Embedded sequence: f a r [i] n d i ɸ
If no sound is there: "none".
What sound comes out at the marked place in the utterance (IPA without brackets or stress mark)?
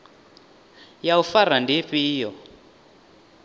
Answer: a